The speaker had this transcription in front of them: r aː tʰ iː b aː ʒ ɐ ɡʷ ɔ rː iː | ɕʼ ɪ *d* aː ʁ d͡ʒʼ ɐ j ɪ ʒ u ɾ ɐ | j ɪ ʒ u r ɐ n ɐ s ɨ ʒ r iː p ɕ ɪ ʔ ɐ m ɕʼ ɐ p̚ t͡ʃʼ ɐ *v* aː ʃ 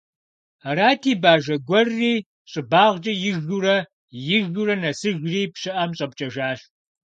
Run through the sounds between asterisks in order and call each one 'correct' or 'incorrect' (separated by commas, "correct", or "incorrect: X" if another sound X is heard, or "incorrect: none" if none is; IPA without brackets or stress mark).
incorrect: b, incorrect: ʒ